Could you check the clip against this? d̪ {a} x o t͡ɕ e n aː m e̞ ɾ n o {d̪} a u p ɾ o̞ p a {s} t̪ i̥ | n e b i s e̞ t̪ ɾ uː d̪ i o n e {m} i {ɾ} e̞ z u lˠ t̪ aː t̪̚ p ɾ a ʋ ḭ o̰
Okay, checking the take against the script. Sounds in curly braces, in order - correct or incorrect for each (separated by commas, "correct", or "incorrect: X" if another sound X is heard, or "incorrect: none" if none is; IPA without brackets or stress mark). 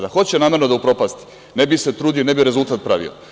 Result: correct, correct, correct, incorrect: b, correct